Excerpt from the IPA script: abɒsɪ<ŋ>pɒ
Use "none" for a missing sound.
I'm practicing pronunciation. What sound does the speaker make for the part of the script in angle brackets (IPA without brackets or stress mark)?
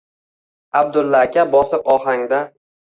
none